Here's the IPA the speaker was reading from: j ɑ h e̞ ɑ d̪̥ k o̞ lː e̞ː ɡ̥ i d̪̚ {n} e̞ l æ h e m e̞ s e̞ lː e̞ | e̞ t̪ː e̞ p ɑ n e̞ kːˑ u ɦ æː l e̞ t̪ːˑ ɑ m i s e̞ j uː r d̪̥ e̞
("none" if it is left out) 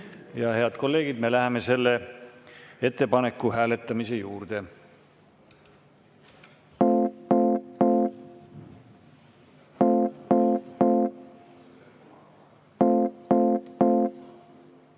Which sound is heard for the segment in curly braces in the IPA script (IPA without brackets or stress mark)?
m